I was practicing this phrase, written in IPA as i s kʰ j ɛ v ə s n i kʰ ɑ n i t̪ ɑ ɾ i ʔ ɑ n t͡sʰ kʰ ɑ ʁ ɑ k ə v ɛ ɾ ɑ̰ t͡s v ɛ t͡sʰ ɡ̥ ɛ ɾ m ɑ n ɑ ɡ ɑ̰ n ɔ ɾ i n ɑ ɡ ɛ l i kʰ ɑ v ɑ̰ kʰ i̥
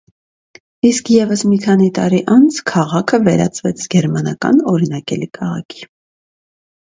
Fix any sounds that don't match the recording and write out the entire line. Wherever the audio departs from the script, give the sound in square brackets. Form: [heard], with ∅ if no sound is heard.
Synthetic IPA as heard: i s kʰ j ɛ v ə s [m] i kʰ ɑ n i t̪ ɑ ɾ i ʔ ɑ n t͡sʰ kʰ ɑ ʁ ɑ [kʰ] ə v ɛ ɾ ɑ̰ t͡s v ɛ t͡sʰ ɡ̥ ɛ ɾ m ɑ n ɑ [k] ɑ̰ n ɔ ɾ i n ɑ [k] ɛ l i kʰ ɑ [ʁ] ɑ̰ kʰ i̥